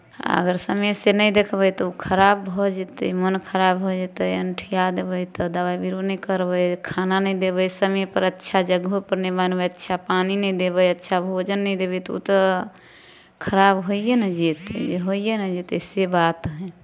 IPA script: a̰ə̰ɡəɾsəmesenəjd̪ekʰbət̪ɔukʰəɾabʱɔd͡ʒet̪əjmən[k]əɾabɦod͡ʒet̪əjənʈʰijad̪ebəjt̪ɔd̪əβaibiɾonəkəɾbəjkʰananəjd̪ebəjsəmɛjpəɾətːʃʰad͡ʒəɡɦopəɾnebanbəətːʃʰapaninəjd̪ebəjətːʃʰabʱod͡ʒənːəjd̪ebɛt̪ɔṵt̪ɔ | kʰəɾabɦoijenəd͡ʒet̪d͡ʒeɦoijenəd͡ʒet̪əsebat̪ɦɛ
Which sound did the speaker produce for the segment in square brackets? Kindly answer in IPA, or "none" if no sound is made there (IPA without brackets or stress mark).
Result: kʰ